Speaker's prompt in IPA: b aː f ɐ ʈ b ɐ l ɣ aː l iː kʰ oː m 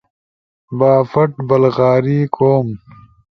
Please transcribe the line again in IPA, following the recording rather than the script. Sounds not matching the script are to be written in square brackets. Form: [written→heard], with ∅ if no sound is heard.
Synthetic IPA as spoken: b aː f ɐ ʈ b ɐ l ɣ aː [l→ɾ] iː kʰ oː m